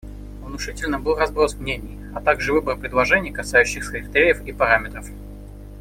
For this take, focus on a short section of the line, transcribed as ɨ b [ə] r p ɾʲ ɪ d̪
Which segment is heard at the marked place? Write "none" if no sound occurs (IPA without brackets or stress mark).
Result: ə